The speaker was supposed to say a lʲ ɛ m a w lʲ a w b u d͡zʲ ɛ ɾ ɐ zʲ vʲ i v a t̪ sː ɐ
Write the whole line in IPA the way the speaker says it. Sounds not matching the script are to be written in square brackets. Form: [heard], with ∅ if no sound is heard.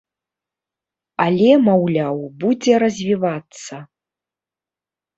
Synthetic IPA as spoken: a lʲ ɛ m a w lʲ a w b u d͡zʲ ɛ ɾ ɐ zʲ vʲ i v a t̪ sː ɐ